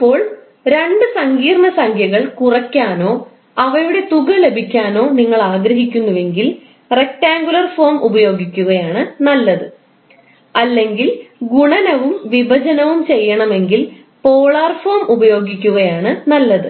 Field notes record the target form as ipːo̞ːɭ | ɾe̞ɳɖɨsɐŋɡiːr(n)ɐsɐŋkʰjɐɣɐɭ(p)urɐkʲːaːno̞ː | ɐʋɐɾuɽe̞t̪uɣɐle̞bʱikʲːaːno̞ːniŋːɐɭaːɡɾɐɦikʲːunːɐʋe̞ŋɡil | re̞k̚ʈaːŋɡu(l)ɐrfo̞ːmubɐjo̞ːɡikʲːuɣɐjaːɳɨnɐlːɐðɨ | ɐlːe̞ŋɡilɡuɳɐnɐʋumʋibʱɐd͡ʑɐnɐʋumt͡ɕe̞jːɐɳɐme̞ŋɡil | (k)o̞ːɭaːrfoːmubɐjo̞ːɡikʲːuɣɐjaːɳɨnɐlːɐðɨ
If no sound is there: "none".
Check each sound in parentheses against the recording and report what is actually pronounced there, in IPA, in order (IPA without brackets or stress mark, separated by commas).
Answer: ɳ, k, l, p